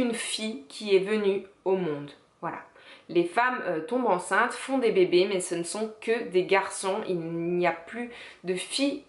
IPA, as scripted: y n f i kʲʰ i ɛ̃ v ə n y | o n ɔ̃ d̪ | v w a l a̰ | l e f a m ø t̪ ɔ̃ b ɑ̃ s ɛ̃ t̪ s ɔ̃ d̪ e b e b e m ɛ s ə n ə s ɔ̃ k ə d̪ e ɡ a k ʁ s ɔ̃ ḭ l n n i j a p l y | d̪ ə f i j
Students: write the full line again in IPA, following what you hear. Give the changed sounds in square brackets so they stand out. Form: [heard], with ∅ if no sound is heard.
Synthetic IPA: y n f i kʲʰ i [ɛ] v ə n y | o [m] ɔ̃ d̪ | v w a l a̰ | l e f a m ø t̪ ɔ̃ b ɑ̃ s ɛ̃ t̪ [f] ɔ̃ d̪ e b e b e m ɛ s ə n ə s ɔ̃ k ə d̪ e ɡ a [∅] ʁ s ɔ̃ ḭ l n n i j a p l y | d̪ ə f i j